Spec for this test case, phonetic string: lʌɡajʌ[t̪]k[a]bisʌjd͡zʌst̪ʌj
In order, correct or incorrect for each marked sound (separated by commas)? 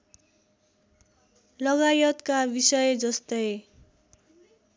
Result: correct, correct